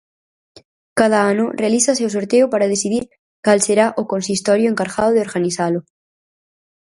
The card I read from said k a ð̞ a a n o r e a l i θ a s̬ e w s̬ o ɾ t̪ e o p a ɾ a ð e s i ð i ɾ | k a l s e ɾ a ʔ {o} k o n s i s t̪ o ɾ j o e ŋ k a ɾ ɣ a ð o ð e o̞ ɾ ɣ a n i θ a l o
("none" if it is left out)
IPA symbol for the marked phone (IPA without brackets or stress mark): o